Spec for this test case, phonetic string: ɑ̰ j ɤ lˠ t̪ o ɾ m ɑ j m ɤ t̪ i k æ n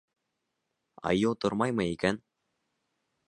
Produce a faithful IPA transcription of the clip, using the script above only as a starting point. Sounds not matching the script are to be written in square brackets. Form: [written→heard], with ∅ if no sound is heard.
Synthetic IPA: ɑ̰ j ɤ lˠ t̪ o ɾ m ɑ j m ɤ [t̪→∅] i k æ n

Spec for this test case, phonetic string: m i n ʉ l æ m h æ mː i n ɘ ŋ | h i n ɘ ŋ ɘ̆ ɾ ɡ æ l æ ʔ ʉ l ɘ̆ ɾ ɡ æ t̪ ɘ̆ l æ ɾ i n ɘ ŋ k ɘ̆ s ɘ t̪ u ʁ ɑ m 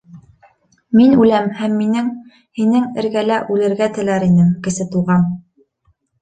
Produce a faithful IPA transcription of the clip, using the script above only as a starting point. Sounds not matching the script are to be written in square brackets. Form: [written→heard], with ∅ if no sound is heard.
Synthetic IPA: m i n ʉ l æ m h æ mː i n ɘ ŋ | h i n ɘ ŋ ɘ̆ ɾ ɡ æ l æ ʔ ʉ l ɘ̆ ɾ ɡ æ t̪ ɘ̆ l æ ɾ i n ɘ ŋ k ɘ̆ s ɘ t̪ u ʁ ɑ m

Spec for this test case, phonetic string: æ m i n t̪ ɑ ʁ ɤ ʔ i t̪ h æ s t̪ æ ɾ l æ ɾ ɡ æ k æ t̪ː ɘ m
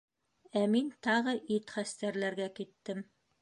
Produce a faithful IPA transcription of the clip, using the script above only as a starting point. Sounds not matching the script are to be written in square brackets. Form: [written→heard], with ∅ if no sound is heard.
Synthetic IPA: æ m i n t̪ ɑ ʁ ɤ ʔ i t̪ [h→χ] æ s t̪ æ ɾ l æ ɾ ɡ æ k [æ→i] t̪ː ɘ m

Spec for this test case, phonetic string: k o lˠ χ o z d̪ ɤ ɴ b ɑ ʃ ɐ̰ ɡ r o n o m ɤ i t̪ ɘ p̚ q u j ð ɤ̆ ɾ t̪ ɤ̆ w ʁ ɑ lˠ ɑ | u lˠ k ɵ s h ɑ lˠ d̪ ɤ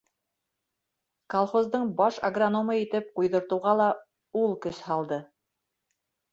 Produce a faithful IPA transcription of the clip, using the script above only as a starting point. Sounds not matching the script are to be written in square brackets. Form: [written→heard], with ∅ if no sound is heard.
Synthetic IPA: k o lˠ χ o z d̪ ɤ ɴ b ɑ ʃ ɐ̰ ɡ r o n o m ɤ i t̪ ɘ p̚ q u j ð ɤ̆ ɾ t̪ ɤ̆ w ʁ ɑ lˠ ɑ | u lˠ k ɵ s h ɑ lˠ d̪ ɤ

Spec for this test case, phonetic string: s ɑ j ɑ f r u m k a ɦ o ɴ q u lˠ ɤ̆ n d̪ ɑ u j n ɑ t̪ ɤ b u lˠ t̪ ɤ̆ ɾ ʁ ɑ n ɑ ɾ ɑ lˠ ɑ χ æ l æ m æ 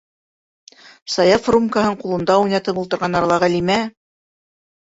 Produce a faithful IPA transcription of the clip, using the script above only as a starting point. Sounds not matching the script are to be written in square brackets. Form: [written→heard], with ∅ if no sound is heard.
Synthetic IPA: s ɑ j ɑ f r u m k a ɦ [o→ɤ] ɴ q u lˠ ɤ̆ n d̪ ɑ u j n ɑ t̪ ɤ [b→p] u lˠ t̪ ɤ̆ ɾ ʁ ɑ n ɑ ɾ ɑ lˠ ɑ [χ→ʁ] æ l [æ→i] m æ

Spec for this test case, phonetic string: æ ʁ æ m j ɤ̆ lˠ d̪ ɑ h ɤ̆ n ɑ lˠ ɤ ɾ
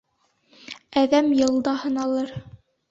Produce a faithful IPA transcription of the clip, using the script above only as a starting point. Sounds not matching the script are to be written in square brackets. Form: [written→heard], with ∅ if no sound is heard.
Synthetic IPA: æ [ʁ→ð] æ m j ɤ̆ lˠ d̪ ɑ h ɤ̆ n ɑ lˠ ɤ ɾ

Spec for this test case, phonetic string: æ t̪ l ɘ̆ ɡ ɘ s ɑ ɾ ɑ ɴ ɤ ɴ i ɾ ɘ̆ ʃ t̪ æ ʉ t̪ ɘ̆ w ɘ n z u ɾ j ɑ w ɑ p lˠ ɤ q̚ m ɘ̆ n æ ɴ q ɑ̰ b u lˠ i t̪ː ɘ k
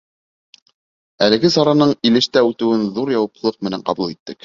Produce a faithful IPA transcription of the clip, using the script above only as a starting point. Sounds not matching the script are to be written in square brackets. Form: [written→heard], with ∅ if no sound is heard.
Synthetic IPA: æ [t̪→∅] l ɘ̆ ɡ ɘ s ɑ ɾ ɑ [ɴ→n] ɤ ɴ i [ɾ→l] ɘ̆ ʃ t̪ æ ʉ t̪ ɘ̆ w ɘ n [z→ð] u ɾ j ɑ w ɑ p lˠ ɤ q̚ m ɘ̆ n æ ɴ q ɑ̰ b u lˠ i t̪ː ɘ k

